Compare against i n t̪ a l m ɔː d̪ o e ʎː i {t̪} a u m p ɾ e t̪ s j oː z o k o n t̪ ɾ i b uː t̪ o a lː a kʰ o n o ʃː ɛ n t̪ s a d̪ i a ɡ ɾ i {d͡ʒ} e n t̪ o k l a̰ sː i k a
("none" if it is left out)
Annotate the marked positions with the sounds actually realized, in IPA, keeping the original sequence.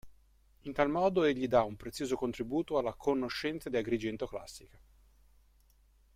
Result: d̪, d͡ʒ

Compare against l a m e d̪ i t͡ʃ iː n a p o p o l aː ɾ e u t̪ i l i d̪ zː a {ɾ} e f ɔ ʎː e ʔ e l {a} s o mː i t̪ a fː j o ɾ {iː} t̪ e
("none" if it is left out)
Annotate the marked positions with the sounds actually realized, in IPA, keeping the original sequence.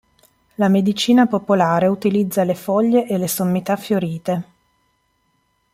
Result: l, e, iː

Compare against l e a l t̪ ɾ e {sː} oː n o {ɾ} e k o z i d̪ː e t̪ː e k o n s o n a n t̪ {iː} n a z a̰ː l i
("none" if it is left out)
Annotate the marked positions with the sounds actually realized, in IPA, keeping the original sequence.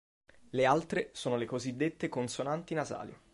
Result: s, l, i

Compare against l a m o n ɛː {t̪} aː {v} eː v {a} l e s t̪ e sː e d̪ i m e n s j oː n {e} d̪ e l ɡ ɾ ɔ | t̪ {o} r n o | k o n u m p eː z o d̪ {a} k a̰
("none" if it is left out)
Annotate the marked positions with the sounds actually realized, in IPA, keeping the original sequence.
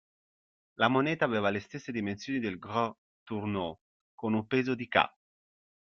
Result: t̪, v, a, i, u, i

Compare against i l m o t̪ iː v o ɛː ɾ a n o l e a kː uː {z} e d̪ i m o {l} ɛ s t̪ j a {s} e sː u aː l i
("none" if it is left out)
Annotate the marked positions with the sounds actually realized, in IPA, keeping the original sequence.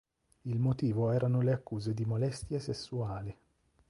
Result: z, l, s

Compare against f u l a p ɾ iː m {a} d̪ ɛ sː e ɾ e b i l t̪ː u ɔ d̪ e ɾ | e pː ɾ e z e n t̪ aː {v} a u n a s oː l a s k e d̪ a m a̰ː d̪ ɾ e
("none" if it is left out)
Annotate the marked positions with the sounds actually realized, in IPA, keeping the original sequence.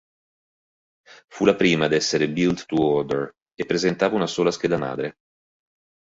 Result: a, v

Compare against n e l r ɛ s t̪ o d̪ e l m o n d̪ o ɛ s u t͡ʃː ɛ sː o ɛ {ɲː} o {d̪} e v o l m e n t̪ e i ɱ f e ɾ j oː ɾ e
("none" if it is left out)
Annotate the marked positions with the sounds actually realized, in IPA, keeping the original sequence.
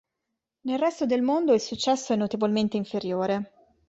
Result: nː, t̪

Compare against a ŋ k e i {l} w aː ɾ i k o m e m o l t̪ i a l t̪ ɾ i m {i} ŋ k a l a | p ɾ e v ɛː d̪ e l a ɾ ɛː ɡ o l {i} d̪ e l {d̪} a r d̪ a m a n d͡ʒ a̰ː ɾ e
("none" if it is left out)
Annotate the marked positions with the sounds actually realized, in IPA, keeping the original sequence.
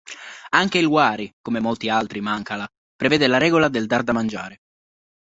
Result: l, a, a, d̪

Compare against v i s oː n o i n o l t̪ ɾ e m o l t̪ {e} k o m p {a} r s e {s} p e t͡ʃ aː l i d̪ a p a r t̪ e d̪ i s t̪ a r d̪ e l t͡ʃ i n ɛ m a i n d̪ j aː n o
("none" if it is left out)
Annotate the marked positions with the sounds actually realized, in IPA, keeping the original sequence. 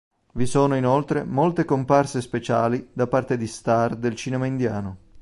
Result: e, a, s

